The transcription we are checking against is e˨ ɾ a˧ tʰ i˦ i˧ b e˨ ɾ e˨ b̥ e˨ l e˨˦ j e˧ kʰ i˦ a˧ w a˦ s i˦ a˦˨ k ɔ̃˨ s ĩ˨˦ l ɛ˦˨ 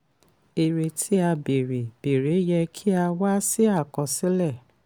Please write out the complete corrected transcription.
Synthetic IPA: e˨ ɾ e˧ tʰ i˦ a˧ b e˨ ɾ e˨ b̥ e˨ ɾ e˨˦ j ɛ˧ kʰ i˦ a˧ w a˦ s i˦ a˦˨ k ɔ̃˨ s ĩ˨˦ l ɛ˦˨